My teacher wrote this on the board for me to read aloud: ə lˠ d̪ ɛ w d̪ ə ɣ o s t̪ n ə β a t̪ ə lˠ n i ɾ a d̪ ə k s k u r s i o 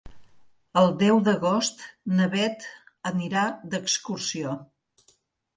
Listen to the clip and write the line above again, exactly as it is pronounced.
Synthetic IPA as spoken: ə lˠ d̪ ɛ w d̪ ə ɣ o s t̪ n ə β ɛ t̪ ə n i ɾ a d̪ ə k s k u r s i o